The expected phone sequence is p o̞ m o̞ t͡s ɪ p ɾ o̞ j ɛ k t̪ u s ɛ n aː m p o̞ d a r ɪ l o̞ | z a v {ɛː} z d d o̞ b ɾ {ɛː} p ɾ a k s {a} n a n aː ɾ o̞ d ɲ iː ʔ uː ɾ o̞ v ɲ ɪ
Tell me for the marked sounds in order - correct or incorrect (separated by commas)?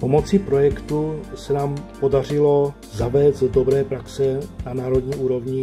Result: correct, correct, incorrect